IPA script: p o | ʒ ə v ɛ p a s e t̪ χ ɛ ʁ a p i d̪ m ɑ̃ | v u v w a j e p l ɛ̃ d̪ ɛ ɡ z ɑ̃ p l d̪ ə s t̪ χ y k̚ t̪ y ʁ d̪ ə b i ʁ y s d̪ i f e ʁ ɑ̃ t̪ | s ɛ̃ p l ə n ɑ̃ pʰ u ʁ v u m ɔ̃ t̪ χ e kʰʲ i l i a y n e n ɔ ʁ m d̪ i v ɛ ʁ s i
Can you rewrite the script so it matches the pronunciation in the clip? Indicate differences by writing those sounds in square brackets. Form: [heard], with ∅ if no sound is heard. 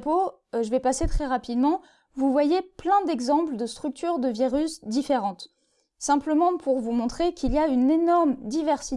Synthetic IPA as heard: p o | ʒ ə v ɛ p a s e t̪ χ ɛ ʁ a p i d̪ m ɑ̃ | v u v w a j e p l ɛ̃ d̪ ɛ ɡ z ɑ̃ p l d̪ ə s t̪ χ y k̚ t̪ y ʁ d̪ ə [v] i ʁ y s d̪ i f e ʁ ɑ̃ t̪ | s ɛ̃ p l ə [m] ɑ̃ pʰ u ʁ v u m ɔ̃ t̪ χ e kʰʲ i l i a y n e n ɔ ʁ m d̪ i v ɛ ʁ s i

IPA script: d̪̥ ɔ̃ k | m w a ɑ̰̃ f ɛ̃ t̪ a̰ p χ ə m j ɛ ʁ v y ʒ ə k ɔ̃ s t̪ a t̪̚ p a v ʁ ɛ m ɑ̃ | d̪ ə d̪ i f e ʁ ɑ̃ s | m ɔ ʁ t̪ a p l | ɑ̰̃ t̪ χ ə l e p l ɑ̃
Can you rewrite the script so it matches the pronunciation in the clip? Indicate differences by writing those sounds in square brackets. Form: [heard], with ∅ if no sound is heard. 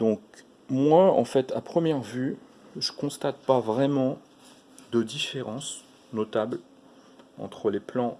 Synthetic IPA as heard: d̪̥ ɔ̃ k | m w a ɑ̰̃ f [ɛ] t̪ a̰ p χ ə m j ɛ ʁ v y ʒ ə k ɔ̃ s t̪ a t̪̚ p a v ʁ ɛ m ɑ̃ | d̪ ə d̪ i f e ʁ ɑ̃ s | [n] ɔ [∅] t̪ a [b] l | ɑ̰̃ t̪ χ ə l e p l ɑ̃

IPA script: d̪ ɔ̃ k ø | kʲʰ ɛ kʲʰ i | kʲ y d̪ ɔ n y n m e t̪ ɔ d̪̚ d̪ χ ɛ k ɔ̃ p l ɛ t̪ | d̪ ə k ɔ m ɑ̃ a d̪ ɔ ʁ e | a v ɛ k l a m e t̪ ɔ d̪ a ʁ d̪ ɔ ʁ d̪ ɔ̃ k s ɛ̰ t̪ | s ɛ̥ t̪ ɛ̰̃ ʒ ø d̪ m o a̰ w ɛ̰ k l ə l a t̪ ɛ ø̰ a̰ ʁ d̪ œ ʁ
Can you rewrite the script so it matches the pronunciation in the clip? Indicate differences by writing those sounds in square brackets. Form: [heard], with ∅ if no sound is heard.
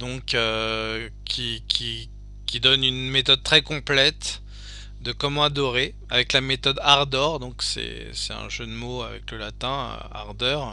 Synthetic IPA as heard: d̪ ɔ̃ k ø | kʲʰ [i] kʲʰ i | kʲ [i] d̪ ɔ n y n m e t̪ ɔ d̪̚ [t̪] χ ɛ k ɔ̃ p l ɛ t̪ | d̪ ə k ɔ m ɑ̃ a d̪ ɔ ʁ e | a v ɛ k l a m e t̪ ɔ d̪ a ʁ d̪ ɔ ʁ d̪ ɔ̃ k s ɛ̰ [∅] | s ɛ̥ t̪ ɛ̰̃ ʒ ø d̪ m o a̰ [v] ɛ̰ k l ə l a t̪ [ɛ̃] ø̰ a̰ ʁ d̪ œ ʁ

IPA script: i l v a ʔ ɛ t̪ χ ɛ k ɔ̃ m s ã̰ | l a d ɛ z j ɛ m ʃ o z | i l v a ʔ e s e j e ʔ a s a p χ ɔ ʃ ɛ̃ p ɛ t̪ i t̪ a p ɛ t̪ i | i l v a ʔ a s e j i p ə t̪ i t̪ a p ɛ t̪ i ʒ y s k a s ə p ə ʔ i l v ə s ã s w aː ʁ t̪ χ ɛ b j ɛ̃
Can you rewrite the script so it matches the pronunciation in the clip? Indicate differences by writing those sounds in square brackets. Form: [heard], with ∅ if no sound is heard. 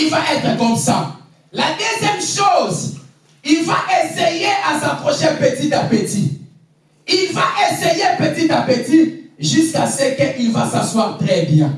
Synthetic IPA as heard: i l v a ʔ ɛ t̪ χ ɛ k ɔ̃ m s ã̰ | l a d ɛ z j ɛ m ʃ o z | i l v a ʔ e s e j e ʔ a s a p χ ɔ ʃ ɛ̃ p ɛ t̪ i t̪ a p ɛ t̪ i | i l v a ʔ [e] s e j [e] p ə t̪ i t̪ a p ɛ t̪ i ʒ y s k a s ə [k] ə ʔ i l v [a] s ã s w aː ʁ t̪ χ ɛ b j ɛ̃

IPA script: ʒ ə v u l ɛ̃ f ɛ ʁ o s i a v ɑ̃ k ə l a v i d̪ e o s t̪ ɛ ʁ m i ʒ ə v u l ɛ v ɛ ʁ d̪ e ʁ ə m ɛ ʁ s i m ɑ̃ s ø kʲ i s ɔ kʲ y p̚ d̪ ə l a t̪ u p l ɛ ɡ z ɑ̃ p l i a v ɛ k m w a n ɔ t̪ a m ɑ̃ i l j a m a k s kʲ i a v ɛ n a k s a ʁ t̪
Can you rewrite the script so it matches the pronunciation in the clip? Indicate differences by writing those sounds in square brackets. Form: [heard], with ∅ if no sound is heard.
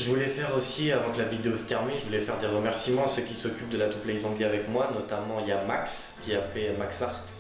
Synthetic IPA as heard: ʒ ə v u l [ɛ] f ɛ ʁ o s i a v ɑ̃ k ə l a v i d̪ e o s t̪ ɛ ʁ m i ʒ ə v u l ɛ [f] ɛ ʁ d̪ e ʁ ə m ɛ ʁ s i m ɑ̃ s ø kʲ i s ɔ kʲ y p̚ d̪ ə l a t̪ u p l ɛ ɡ z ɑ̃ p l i a v ɛ k m w a n ɔ t̪ a m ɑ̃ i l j a m a k s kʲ i a [f] ɛ [m] a k s a ʁ t̪

